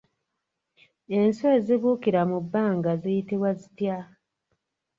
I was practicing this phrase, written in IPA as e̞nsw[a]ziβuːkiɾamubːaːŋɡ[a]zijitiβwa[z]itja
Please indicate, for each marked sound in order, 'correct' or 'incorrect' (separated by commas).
incorrect, correct, correct